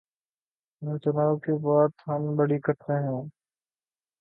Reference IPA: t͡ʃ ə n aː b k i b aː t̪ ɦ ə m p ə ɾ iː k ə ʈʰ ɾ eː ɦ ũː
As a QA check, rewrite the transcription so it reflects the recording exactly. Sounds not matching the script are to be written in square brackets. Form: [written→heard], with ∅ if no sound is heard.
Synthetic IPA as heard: t͡ʃ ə n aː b k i b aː t̪ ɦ ə m [p→b] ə [ɾ→ɽ] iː k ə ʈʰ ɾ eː ɦ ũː